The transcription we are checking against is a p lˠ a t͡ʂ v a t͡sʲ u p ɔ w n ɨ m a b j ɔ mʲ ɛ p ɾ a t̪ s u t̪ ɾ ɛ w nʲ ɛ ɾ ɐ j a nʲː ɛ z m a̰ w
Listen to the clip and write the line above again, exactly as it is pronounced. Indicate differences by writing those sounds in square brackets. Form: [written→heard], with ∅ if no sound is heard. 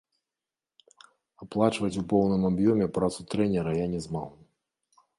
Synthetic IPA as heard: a p lˠ a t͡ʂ v [a→ɐ] t͡sʲ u p ɔ w n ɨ m a b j ɔ mʲ ɛ p ɾ a t̪ s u t̪ ɾ ɛ [w→∅] nʲ ɛ ɾ ɐ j a [nʲː→nʲ] ɛ z m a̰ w